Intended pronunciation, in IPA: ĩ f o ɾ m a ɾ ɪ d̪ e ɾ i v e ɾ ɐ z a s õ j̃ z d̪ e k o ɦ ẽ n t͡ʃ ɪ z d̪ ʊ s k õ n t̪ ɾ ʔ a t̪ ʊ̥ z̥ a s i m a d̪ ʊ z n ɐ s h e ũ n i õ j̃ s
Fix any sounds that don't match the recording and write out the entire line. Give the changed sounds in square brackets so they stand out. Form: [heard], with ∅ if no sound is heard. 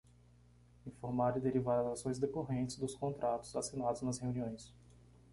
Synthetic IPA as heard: ĩ f o ɾ m a ɾ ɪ d̪ e ɾ i v [a] ɾ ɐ z a s õ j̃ z d̪ e k o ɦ ẽ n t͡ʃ ɪ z d̪ ʊ s k õ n t̪ ɾ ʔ a t̪ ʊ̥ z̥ a s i [n] a d̪ ʊ z n ɐ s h e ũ n i õ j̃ s

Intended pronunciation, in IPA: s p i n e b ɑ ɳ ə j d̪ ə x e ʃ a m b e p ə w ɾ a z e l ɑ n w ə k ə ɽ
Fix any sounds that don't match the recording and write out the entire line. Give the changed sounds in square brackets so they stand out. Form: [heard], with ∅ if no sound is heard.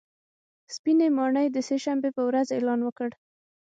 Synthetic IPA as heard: s p i n e [m] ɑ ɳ ə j d̪ ə [s] e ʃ a m b e p ə w ɾ a z e l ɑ n w ə k ə ɽ

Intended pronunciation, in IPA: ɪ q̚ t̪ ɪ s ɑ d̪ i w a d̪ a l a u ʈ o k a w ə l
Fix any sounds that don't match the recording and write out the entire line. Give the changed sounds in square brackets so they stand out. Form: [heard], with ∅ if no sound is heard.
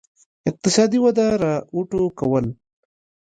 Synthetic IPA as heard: ɪ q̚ t̪ ɪ s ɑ d̪ i w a d̪ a [ɾ] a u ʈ o k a w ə l

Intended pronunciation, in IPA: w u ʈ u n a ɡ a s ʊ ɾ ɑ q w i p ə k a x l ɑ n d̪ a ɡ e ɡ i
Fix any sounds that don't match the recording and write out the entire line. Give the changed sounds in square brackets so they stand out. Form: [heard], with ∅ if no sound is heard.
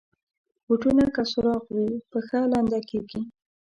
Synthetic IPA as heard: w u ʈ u n a [k] a s ʊ ɾ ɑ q w i p ə [x] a [∅] l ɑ n d̪ a [k] e ɡ i

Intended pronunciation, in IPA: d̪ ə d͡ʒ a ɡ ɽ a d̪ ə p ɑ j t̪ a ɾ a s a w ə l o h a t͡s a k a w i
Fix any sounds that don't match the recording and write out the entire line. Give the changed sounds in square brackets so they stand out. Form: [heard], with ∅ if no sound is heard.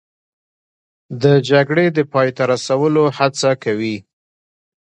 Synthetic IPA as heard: d̪ ə d͡ʒ a ɡ ɽ [e] d̪ ə p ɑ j t̪ a ɾ a s a w ə l o h a t͡s a k a w i

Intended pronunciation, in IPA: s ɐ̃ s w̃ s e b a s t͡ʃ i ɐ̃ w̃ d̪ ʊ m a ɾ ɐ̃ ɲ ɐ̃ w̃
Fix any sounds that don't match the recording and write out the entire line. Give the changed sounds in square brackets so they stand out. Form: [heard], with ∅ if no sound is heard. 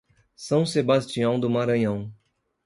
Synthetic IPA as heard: s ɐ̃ [∅] w̃ s e b a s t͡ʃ i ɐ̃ w̃ d̪ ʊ m a ɾ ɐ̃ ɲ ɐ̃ w̃

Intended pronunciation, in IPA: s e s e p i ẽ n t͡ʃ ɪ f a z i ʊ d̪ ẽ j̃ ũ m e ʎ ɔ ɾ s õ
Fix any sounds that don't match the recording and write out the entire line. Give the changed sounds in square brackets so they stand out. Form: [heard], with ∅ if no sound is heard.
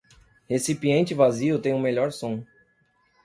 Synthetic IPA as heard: [h] e s [i] p i ẽ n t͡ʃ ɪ [v] a z i ʊ [t̪] ẽ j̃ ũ m e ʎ ɔ ɾ s õ

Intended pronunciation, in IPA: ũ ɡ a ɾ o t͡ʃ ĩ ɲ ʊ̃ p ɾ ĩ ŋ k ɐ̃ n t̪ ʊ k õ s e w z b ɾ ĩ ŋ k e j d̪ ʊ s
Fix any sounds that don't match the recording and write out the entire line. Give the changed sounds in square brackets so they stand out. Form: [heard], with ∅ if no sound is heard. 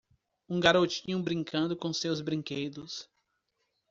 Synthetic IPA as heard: ũ ɡ a ɾ o t͡ʃ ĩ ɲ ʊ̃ [b] ɾ ĩ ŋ k ɐ̃ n [d̪] ʊ k õ s e w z b ɾ ĩ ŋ k e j d̪ ʊ s

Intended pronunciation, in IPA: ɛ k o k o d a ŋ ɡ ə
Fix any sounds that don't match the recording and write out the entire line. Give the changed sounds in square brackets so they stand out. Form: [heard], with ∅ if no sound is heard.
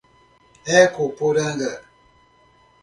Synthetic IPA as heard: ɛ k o [p] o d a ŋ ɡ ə

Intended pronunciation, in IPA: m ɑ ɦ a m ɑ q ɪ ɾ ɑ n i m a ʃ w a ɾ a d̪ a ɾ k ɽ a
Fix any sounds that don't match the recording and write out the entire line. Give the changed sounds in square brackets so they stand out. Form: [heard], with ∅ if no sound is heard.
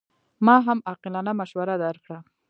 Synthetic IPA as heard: m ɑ ɦ a m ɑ q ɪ [l] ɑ n [a] m a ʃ w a ɾ a d̪ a ɾ k ɽ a

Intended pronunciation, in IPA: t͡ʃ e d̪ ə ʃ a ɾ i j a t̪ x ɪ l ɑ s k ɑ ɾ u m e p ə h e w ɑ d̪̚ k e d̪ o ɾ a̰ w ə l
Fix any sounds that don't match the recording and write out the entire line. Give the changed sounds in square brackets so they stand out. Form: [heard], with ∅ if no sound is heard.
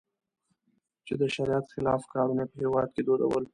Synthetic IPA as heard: t͡ʃ e d̪ ə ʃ a ɾ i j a t̪ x ɪ l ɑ [f] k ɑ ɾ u [n] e p ə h e w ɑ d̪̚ k e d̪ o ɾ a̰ w ə l

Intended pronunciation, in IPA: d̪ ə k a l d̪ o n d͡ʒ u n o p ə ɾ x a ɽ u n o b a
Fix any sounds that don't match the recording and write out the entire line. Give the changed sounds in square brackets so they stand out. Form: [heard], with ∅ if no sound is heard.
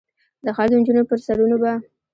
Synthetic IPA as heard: d̪ ə [x] a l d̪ o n d͡ʒ u n o p ə ɾ [s] a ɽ u n o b a

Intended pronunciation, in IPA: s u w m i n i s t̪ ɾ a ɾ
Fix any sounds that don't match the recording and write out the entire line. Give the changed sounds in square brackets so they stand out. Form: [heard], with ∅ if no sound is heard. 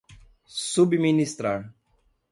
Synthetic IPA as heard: s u [b] m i n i s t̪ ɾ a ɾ

